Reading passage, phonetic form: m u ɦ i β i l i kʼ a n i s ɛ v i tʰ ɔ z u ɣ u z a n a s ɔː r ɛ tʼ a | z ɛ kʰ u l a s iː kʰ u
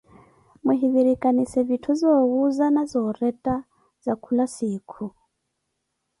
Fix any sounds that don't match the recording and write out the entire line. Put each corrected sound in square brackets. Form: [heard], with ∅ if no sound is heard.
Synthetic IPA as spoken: m u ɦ i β i [ɾ] i kʼ a n i s ɛ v i tʰ [u] z [ɔ] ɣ u z a n a [z] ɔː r ɛ tʼ a | z [a] kʰ u l a s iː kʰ u